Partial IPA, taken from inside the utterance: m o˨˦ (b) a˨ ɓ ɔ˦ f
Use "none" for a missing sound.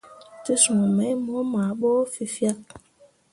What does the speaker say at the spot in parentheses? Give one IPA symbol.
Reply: m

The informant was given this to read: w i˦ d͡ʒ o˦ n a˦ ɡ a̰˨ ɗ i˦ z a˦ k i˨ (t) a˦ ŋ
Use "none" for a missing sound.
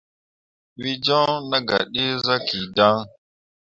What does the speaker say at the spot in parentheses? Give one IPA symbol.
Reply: d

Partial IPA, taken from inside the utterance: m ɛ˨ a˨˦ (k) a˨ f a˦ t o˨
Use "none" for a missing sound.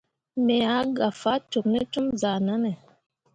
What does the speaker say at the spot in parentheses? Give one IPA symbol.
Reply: ɡ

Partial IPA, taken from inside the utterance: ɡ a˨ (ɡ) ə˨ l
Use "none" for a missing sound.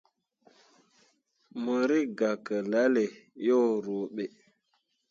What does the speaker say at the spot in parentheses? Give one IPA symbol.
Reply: k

